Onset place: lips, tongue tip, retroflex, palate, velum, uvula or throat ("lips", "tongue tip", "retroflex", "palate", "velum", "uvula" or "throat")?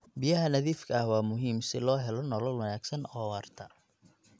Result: lips